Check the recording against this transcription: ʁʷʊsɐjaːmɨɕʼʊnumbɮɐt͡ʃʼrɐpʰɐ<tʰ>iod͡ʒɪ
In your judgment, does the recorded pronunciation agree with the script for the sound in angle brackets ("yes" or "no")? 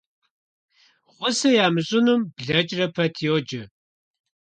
yes